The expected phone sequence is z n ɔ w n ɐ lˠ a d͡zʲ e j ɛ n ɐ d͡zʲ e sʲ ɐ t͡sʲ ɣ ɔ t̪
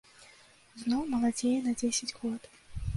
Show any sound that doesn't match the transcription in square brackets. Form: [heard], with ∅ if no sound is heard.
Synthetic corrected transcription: z n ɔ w [m] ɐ lˠ a d͡zʲ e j ɛ n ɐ d͡zʲ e sʲ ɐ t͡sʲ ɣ ɔ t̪